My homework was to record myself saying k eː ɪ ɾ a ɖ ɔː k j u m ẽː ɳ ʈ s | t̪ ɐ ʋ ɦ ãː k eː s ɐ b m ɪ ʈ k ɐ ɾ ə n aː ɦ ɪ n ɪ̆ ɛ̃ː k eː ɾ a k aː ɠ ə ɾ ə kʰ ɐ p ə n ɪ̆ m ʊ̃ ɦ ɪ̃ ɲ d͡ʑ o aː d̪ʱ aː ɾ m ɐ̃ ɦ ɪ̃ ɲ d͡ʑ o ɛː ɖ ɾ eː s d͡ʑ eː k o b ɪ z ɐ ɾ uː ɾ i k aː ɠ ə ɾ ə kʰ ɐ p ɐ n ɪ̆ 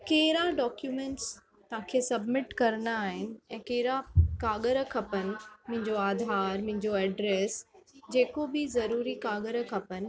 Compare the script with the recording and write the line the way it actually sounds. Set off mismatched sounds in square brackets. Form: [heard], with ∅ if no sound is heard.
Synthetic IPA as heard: k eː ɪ ɾ a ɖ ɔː k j u m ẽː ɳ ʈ s | t̪ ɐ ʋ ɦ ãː [kʰ] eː s ɐ b m ɪ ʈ k ɐ ɾ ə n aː ɦ ɪ n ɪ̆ ɛ̃ː k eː ɾ a k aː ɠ ə ɾ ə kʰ ɐ p ə n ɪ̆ m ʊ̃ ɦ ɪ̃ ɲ d͡ʑ o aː d̪ʱ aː ɾ m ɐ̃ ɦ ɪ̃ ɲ d͡ʑ o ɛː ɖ ɾ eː s d͡ʑ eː k o b ɪ z ɐ ɾ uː ɾ i k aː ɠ ə ɾ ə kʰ ɐ p [ə] n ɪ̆